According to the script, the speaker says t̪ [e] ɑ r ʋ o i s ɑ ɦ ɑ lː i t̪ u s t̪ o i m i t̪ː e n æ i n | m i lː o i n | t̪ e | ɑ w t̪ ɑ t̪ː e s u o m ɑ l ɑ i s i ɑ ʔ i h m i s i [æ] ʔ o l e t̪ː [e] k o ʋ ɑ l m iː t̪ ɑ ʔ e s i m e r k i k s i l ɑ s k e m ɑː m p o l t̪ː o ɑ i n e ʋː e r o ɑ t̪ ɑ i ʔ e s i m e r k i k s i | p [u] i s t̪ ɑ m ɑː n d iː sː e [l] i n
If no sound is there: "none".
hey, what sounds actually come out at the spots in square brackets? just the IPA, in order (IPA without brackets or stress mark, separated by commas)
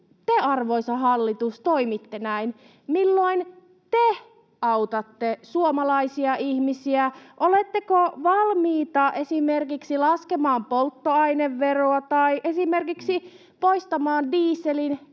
e, æ, e, o, l